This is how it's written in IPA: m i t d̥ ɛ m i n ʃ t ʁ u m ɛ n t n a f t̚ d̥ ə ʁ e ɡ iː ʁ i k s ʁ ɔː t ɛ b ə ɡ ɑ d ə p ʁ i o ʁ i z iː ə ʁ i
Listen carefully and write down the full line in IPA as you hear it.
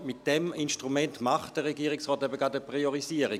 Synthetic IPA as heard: m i t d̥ ɛ m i n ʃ t ʁ u m ɛ n t m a χ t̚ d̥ ə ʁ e ɡ iː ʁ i k s ʁ ɔː t ɛ b ə ɡ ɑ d ə p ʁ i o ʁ i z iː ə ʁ i